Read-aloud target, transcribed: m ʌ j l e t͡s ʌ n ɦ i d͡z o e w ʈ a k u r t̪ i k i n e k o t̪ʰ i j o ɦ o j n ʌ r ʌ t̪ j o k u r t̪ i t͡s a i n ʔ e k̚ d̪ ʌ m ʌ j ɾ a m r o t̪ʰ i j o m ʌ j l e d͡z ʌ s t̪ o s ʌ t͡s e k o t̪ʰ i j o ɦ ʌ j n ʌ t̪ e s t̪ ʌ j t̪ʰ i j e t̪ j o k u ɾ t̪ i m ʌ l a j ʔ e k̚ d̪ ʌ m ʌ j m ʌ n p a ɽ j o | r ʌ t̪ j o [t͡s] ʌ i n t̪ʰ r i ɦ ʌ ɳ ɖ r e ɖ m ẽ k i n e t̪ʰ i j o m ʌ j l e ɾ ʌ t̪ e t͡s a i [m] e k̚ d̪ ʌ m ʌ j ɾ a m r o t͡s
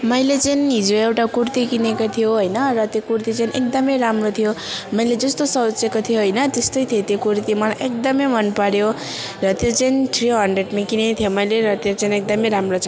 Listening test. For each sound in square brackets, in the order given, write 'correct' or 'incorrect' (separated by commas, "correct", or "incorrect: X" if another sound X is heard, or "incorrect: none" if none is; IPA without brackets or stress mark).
correct, incorrect: n